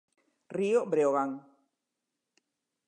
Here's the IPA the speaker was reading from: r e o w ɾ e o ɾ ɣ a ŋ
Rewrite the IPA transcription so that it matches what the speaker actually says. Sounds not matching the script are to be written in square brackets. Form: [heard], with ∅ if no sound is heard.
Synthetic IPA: r [i] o [b] ɾ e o [∅] ɣ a ŋ

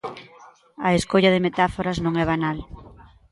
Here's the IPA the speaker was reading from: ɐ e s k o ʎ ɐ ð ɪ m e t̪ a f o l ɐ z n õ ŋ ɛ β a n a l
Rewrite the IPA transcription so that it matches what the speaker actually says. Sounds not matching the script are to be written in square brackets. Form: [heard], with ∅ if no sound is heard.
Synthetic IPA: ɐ e s k o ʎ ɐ ð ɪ m e t̪ a f o [ɾ] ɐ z n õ ŋ ɛ β a n a l

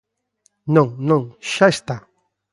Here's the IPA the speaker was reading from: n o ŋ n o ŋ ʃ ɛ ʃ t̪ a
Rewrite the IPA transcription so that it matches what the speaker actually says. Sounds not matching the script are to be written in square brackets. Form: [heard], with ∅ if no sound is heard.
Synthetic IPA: n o ŋ n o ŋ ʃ [a] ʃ t̪ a

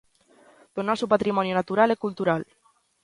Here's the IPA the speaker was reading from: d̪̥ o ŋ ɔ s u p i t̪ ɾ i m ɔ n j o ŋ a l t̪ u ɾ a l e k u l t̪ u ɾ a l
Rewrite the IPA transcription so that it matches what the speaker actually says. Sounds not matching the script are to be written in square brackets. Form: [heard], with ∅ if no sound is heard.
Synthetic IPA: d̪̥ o [n] ɔ s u p [a] t̪ ɾ i m ɔ n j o [n] a [∅] t̪ u ɾ a l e k u l t̪ u ɾ a l

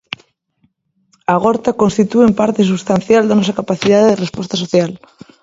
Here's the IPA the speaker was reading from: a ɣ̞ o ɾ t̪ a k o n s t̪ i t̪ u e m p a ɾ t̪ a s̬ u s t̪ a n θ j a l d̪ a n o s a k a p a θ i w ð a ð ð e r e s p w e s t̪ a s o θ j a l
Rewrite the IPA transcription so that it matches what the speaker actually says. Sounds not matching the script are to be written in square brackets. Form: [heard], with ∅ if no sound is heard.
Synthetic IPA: a ɣ̞ o ɾ t̪ a k o n s t̪ i t̪ u e m p a ɾ t̪ [e] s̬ u s t̪ a n θ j a l d̪ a n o s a k a p a θ i [∅] ð a ð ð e r e s p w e s t̪ a s o θ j a l

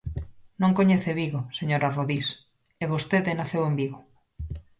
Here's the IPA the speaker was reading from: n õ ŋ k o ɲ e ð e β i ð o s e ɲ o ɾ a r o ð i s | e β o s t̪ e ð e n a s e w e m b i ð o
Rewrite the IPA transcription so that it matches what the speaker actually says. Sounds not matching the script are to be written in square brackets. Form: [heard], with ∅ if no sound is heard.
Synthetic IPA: n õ ŋ k o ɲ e [θ] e β i [ɣ] o s e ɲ o ɾ a r o ð i s | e β o s t̪ e ð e n a [θ] e w e m b i [ɣ] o

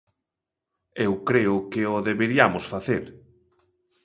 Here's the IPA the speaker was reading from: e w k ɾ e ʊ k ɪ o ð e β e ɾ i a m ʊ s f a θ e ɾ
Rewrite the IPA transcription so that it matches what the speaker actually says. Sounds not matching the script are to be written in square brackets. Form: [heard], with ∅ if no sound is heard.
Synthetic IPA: e w k ɾ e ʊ k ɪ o ð e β e ɾ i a m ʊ s f a θ e ɾ

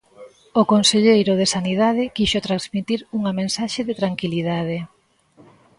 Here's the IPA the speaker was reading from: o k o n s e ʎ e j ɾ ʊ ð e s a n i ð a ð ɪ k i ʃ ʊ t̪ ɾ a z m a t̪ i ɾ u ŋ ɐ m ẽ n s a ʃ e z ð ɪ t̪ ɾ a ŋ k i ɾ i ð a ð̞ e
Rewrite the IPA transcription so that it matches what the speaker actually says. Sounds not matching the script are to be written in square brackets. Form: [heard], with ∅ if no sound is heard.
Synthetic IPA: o k o n s e ʎ e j ɾ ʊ ð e s a n i ð a ð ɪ k i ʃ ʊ t̪ ɾ a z m [i] t̪ i ɾ u ŋ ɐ m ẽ n s a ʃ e [∅] ð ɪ t̪ ɾ a ŋ k i [l] i ð a ð̞ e

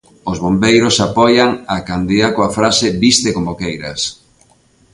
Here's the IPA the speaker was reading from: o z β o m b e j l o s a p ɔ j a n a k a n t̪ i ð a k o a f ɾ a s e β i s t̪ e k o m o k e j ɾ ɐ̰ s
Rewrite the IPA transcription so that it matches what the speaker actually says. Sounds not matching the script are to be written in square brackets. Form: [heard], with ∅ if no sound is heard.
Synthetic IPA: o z β o m b e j [ɾ] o s a p ɔ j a [ŋ] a k a n [d̪] i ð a k o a f ɾ a s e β i s t̪ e k o m o k e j ɾ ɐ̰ s

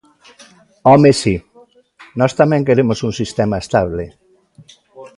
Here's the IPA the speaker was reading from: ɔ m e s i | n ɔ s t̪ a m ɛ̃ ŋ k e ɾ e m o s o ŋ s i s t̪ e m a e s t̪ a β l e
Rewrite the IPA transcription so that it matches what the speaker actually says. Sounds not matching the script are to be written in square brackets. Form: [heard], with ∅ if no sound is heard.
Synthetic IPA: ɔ m e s i | n ɔ s t̪ a m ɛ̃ ŋ k e ɾ e m o s [u] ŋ s i s t̪ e m a e s t̪ a β l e

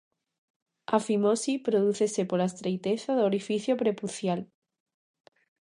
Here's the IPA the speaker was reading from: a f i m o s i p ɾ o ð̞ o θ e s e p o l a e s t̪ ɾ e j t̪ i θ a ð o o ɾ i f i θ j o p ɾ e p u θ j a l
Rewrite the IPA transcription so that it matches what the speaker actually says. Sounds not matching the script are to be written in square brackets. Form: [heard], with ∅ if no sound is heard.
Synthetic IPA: a f i m o s i p ɾ o ð̞ [u] θ e s e p o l a e s t̪ ɾ e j t̪ [e] θ a ð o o ɾ i f i θ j o p ɾ e p u θ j a l

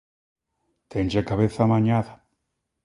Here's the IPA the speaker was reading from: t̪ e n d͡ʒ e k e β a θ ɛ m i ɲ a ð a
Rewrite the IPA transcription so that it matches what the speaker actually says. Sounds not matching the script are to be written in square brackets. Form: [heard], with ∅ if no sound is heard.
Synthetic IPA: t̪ e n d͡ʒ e k [a] β [e] θ [a] m [a] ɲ a ð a

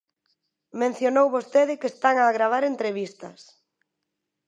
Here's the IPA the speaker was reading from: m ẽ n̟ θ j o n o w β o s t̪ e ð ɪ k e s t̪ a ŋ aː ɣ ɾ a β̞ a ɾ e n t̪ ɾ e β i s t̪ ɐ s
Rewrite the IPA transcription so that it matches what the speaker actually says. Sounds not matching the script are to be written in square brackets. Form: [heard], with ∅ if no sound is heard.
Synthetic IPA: m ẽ n̟ θ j o n o w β o s t̪ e ð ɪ k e s t̪ a ŋ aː ɣ ɾ a β̞ a ɾ e n t̪ ɾ e β i s t̪ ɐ s

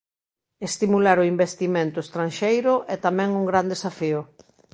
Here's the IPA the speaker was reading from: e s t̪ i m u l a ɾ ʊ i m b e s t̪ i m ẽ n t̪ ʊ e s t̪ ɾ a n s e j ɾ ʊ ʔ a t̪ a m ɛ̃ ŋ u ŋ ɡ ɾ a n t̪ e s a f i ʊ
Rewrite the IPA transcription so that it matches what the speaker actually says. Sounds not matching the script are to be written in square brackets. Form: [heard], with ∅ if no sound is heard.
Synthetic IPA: e s t̪ i m u l a ɾ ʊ i m b e s t̪ i m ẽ n t̪ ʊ e s t̪ ɾ a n [ʃ] e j ɾ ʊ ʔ [ɛ] t̪ a m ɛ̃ ŋ u ŋ ɡ ɾ a n [d̪] e s a f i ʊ

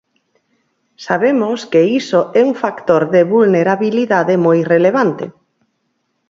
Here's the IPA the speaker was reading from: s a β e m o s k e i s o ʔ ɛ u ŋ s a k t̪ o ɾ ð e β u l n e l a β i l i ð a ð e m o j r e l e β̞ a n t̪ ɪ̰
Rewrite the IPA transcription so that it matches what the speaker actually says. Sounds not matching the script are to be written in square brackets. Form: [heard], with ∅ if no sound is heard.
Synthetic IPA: s a β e m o s k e i s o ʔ ɛ u ŋ [f] a k t̪ o ɾ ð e β u l n e [ɾ] a β i l i ð a ð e m o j r e l e β̞ a n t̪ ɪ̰

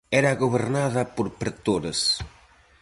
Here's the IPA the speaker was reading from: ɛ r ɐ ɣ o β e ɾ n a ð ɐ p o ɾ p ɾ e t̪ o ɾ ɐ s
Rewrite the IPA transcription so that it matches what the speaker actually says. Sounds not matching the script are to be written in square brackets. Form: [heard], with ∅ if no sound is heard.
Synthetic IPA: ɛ [ɾ] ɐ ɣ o β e ɾ n a ð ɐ p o ɾ p ɾ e t̪ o ɾ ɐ s

